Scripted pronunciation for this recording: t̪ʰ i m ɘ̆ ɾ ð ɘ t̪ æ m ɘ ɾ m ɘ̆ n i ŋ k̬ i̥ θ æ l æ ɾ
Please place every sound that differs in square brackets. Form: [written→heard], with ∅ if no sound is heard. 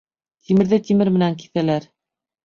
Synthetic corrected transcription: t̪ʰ i m ɘ̆ ɾ ð ɘ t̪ [æ→i] m ɘ ɾ m ɘ̆ n [i→æ] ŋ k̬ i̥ θ æ l æ ɾ